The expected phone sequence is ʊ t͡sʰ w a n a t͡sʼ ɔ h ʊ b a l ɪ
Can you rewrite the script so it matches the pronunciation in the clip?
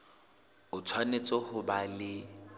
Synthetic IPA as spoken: ʊ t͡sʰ w a n e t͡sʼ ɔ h ʊ b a l ɪ